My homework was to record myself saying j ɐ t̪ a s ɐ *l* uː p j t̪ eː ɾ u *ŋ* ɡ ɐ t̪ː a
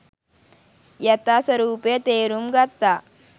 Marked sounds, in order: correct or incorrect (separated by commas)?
incorrect, incorrect